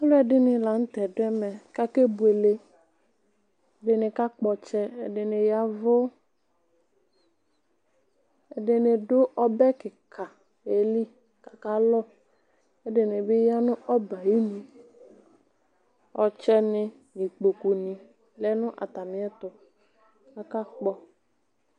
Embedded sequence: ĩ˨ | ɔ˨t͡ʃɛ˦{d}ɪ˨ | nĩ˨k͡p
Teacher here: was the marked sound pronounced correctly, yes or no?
no